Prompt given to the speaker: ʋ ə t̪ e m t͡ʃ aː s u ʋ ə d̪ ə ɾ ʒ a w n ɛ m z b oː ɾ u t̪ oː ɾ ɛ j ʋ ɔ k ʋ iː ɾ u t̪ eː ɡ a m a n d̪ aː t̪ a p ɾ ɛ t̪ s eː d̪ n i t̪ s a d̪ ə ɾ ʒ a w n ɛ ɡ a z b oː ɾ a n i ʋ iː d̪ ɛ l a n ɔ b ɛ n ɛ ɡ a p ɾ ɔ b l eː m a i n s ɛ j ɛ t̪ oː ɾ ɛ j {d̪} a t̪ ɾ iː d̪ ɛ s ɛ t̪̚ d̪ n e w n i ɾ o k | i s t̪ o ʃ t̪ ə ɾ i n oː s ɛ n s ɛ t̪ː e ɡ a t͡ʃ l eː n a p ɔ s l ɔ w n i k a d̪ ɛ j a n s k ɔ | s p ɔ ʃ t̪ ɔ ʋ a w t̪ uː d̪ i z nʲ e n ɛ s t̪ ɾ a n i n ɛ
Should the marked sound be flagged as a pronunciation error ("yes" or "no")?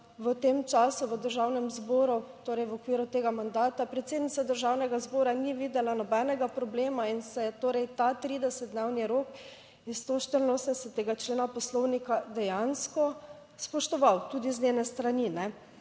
yes